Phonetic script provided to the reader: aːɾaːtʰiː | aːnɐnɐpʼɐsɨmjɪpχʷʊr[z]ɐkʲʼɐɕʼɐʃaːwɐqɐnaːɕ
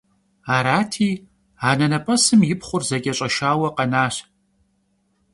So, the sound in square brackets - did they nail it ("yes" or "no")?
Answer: yes